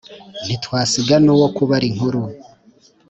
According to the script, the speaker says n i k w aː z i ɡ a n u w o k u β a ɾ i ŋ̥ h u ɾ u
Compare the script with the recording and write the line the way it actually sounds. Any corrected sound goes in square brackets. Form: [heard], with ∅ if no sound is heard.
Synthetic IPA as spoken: n i [t] w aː [s] i ɡ a n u w o k u β a ɾ i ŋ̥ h u ɾ u